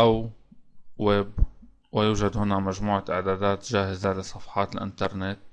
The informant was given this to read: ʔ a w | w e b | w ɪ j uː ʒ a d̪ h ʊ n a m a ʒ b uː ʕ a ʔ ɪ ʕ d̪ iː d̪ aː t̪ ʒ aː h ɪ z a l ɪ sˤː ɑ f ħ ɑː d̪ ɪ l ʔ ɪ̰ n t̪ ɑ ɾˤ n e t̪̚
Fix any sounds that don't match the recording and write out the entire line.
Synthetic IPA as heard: ʔ a w | w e b | w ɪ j uː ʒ a d̪ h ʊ n a m a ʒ m uː ʕ a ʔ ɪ ʕ d̪ aː d̪ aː t̪ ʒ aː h ɪ z a l ɪ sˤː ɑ f ħ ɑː t̪ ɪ l ʔ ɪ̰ n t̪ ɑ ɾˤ n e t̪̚

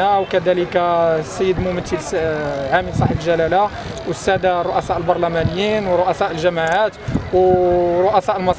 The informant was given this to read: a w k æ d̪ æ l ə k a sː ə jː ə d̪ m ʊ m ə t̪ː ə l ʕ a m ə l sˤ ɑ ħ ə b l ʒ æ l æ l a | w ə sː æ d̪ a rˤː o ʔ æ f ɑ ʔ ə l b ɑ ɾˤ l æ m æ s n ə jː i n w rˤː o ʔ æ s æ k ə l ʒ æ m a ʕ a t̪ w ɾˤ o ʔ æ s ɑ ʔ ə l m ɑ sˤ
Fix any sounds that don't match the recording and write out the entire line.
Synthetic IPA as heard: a w k æ d̪ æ l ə k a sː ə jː ə d̪ m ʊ m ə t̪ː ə l ʕ a m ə l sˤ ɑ ħ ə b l ʒ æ l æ l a | w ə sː æ d̪ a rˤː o ʔ æ s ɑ ʔ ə l b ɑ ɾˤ l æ m æ n ə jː i n w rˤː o ʔ æ s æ ʔ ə l ʒ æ m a ʕ a t̪ w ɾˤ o ʔ æ s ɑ ʔ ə l m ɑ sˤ

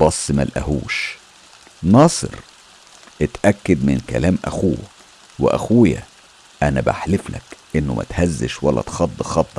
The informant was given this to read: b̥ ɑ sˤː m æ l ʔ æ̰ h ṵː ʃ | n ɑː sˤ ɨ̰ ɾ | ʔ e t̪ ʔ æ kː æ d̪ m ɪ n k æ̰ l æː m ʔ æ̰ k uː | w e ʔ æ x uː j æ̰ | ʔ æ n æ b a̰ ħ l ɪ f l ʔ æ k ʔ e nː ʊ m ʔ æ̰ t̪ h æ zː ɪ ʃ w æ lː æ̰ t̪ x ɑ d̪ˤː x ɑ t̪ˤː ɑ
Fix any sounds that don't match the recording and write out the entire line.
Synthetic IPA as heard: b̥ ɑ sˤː m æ l ʔ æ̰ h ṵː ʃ | n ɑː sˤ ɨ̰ ɾ | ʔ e t̪ ʔ æ kː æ d̪ m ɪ n k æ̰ l æː m ʔ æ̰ x uː | w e ʔ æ x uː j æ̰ | ʔ æ n æ b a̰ ħ l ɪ f l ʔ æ k ʔ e nː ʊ m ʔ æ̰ t̪ h æ zː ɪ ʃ w æ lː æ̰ t̪ x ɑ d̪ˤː x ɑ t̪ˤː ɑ

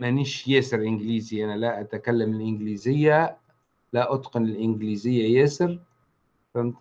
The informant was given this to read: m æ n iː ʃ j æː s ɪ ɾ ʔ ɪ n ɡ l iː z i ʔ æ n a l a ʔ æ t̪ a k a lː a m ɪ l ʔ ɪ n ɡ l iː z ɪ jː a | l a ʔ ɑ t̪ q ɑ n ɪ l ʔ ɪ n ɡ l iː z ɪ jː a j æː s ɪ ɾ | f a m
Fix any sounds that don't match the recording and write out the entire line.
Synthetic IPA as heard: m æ n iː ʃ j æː s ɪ ɾ ʔ ɪ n ɡ l iː z i ʔ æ n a l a ʔ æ t̪ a k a lː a m ɪ l ʔ ɪ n ɡ l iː z ɪ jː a | l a ʔ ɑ t̪ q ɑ n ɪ l ʔ ɪ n ɡ l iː z ɪ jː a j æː s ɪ ɾ | f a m

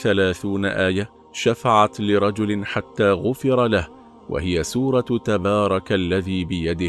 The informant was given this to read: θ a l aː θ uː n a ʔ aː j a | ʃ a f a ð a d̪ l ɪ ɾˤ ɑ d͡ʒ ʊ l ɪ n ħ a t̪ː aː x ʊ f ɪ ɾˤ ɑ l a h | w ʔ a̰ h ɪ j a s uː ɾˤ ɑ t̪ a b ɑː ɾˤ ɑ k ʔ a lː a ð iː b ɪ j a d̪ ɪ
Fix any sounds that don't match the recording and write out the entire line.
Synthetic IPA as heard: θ a l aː θ uː n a ʔ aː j a | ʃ a f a ʕ a t̪ l ɪ ɾˤ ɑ d͡ʒ ʊ l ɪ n ħ a t̪ː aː ɣ ʊ f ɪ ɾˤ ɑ l a h | w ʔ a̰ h ɪ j a s uː ɾˤ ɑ t̪ a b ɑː ɾˤ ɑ k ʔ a lː a ð iː b ɪ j a d̪ ɪ

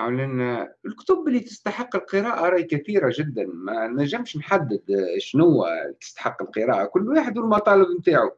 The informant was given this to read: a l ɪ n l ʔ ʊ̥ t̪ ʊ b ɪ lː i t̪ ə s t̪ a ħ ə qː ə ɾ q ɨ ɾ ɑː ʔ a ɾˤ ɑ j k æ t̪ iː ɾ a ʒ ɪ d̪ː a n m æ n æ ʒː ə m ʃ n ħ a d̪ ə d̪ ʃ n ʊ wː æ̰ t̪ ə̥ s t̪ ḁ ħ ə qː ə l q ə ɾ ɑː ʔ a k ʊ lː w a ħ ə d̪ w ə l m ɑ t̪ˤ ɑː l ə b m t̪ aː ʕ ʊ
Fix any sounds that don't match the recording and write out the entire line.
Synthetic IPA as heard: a l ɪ n l k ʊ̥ t̪ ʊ b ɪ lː i t̪ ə s t̪ a ħ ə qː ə l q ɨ ɾ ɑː ʔ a ɾˤ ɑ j k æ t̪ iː ɾ a ʒ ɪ d̪ː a n m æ n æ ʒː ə m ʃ n ħ a d̪ː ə d̪ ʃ n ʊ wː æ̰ t̪ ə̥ s t̪ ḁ ħ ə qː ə l q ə ɾ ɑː ʔ a k ʊ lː w a ħ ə d̪ w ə l m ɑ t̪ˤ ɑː l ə b m t̪ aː ʕ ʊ

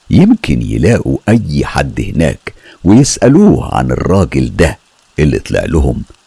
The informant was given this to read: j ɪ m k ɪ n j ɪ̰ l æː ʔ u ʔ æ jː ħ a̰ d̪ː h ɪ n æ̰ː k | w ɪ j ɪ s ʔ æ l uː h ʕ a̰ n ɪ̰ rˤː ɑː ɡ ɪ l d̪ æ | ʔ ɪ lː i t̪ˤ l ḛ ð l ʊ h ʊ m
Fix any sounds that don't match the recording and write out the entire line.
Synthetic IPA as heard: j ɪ m k ɪ n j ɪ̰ l æː ʔ u ʔ æ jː ħ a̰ d̪ː h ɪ n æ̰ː k | w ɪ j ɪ s ʔ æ l uː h ʕ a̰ n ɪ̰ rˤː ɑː ɡ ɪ l d̪ æ | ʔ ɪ lː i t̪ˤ l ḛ ʕ l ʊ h ʊ m

